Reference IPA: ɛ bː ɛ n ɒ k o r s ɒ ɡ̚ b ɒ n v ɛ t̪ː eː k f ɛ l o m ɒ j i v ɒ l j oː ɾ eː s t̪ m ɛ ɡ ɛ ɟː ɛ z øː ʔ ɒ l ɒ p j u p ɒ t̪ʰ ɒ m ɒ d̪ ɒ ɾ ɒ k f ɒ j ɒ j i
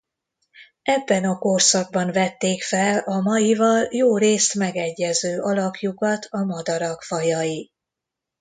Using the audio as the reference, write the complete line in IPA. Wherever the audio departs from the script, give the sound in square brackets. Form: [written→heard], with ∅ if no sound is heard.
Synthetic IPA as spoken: ɛ bː ɛ n ɒ k o r s ɒ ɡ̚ b ɒ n v ɛ t̪ː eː k f ɛ l [o→ɒ] m ɒ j i v ɒ l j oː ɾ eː s t̪ m ɛ ɡ ɛ ɟː ɛ z øː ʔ ɒ l ɒ p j u [p→k] ɒ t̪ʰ ɒ m ɒ d̪ ɒ ɾ ɒ k f ɒ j ɒ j i